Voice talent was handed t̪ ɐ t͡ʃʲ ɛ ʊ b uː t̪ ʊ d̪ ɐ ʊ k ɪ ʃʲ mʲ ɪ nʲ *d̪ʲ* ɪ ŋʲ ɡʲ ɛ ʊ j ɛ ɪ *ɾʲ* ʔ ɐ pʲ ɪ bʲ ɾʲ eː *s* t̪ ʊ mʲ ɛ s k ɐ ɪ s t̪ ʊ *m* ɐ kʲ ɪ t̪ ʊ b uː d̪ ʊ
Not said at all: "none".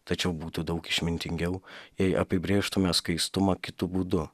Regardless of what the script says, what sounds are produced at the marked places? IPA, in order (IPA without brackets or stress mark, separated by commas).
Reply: t̪ʲ, none, ʃ, m